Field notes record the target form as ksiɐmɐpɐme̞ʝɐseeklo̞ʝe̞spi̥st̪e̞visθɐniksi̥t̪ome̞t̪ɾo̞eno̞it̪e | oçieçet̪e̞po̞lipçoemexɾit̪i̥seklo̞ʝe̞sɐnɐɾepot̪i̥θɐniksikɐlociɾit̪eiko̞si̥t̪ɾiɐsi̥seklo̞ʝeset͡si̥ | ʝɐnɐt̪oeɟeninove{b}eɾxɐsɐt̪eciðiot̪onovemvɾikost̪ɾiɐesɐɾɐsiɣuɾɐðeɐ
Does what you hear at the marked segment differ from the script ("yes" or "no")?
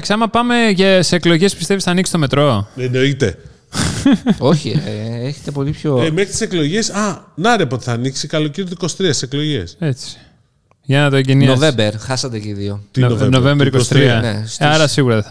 no